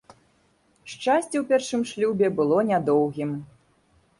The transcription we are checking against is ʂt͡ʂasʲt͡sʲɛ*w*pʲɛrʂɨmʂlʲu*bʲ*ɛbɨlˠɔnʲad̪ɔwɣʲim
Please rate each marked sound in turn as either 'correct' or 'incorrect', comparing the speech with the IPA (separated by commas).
correct, correct